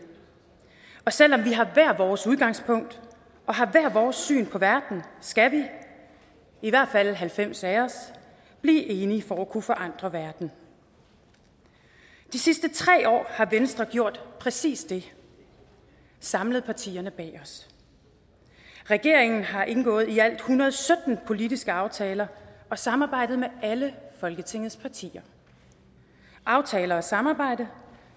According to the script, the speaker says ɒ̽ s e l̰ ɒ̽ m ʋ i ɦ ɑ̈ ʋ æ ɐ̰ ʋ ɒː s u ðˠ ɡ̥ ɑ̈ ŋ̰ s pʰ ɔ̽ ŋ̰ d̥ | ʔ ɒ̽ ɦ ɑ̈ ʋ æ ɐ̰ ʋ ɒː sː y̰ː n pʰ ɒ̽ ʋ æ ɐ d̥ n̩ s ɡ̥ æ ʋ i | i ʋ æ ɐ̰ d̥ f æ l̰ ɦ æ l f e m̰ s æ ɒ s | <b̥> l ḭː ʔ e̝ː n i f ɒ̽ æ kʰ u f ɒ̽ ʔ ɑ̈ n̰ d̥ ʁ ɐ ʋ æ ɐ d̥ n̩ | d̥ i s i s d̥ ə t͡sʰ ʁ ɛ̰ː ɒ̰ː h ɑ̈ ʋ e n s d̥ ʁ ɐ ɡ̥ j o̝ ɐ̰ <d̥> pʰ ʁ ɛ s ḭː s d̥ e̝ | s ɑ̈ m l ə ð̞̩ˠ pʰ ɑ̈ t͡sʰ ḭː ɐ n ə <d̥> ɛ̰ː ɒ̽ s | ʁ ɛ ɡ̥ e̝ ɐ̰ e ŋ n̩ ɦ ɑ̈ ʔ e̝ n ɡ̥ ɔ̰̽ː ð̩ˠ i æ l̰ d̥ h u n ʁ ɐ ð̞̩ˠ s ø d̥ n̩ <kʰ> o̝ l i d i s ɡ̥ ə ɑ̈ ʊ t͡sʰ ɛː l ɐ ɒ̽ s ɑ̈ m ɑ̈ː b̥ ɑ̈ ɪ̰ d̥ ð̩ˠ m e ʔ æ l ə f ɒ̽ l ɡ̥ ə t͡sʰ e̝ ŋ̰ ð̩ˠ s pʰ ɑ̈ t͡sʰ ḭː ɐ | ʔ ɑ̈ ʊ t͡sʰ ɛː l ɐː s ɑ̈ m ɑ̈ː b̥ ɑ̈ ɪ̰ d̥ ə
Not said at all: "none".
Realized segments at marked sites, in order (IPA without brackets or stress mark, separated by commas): b̥, d̥, b̥, pʰ